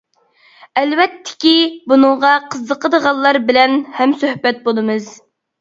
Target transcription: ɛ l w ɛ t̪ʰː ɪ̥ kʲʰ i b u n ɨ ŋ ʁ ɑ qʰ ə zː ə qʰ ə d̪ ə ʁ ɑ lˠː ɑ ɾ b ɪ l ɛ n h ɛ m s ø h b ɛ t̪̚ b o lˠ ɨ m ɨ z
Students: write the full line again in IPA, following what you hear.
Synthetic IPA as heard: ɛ l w ɛ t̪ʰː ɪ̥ kʲ i b u n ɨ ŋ ʁ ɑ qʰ ə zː ə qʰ ə d̪ ə ʁ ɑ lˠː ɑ ɾ b ɪ l ɛ n h ɛ m s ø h b ɛ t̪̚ b o lˠ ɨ m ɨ z

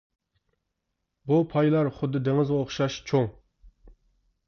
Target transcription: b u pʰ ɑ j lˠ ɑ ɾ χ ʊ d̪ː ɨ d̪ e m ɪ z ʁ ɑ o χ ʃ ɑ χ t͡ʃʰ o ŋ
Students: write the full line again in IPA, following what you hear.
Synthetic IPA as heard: b u pʰ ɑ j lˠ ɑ ɾ χ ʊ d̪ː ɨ d̪ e ŋ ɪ z ʁ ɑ o χ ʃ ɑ ʃ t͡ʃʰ o ŋ

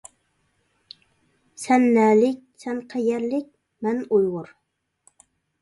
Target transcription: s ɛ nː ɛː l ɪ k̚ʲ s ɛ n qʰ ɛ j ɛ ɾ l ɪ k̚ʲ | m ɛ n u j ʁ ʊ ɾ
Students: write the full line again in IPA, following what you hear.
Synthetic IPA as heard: s ɛ nː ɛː l ɪ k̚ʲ s ɛ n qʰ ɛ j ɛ ɾ l ɪ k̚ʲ | m ɛ n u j ʁ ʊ ɾ

